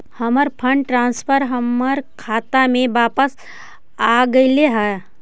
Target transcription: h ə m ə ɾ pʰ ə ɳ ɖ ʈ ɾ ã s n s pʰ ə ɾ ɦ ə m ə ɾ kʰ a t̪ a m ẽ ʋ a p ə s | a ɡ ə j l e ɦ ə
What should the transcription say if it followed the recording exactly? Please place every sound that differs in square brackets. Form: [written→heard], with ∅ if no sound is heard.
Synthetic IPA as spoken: h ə m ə ɾ pʰ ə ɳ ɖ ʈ ɾ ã [s→∅] n s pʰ ə ɾ ɦ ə m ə ɾ kʰ a t̪ a m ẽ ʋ a p ə s | a ɡ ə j l e ɦ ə